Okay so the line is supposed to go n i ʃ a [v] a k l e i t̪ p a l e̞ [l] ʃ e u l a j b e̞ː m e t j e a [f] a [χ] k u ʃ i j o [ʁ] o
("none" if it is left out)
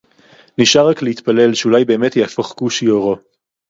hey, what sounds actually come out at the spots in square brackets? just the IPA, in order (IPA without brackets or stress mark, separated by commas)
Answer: ʁ, l, f, χ, ʁ